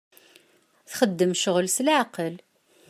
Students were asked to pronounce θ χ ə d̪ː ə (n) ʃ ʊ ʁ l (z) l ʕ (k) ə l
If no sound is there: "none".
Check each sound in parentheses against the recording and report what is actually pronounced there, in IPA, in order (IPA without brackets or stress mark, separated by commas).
m, s, q